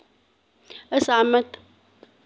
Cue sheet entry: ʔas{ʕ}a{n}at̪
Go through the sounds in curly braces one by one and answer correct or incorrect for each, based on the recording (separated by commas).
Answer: correct, incorrect